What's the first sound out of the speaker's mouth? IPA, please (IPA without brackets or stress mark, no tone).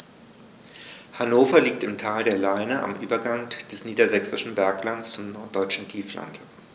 h